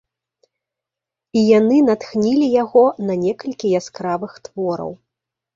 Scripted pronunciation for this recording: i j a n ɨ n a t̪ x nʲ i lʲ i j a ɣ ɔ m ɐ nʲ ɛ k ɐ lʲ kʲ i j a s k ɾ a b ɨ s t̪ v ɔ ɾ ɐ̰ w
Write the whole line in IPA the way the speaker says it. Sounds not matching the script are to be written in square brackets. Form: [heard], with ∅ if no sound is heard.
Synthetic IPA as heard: i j a n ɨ n a t̪ x nʲ i lʲ i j a ɣ ɔ [n] ɐ nʲ ɛ k ɐ lʲ kʲ i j a s k ɾ a [v] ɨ [x] t̪ v ɔ ɾ ɐ̰ w